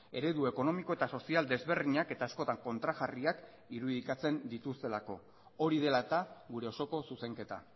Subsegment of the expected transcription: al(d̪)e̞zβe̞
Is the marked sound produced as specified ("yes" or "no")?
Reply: yes